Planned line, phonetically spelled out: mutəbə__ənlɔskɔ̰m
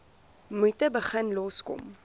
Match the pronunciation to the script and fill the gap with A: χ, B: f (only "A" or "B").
A